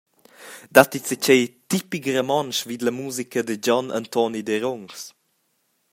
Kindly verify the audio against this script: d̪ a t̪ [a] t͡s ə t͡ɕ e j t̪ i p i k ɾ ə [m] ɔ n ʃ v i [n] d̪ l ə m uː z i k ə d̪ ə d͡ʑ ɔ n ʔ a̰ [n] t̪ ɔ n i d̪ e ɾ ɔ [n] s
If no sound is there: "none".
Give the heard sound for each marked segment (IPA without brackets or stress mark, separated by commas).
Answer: i, m, none, n, ŋ